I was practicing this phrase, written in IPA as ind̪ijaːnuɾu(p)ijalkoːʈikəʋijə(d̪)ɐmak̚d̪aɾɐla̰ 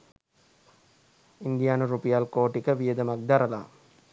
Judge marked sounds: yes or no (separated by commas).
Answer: yes, yes